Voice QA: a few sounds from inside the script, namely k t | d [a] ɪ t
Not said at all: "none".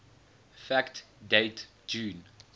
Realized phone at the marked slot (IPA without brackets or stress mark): e